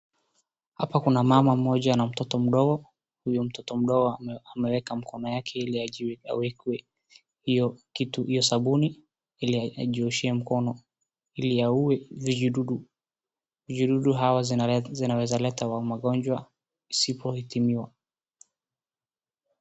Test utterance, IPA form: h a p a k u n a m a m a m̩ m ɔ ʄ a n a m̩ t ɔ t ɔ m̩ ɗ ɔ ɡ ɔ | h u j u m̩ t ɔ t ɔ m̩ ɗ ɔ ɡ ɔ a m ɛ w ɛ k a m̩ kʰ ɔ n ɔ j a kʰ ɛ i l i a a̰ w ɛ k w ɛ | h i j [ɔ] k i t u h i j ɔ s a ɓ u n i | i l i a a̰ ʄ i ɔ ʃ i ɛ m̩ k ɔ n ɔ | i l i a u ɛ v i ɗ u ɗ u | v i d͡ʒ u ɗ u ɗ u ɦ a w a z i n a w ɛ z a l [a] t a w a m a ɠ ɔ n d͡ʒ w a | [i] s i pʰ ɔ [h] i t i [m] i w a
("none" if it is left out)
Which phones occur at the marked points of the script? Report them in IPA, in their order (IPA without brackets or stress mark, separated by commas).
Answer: ɔ, ɛ, i, h, m